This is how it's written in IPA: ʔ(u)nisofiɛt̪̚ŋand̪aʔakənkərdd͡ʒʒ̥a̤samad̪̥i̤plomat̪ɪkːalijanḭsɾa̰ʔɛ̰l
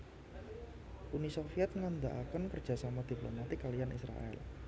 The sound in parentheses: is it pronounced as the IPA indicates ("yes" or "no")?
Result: yes